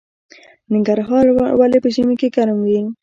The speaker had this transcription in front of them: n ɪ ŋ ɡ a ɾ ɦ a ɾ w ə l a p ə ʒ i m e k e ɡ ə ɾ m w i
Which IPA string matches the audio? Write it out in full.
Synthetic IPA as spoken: n ɪ ŋ ɡ a ɾ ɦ ɑ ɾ w a l e p ə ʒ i m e k e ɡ a ɾ m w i